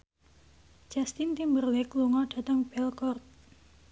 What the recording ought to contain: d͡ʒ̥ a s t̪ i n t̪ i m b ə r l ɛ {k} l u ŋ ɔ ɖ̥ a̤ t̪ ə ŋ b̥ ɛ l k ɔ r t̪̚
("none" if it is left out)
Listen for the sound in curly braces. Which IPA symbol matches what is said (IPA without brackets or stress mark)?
k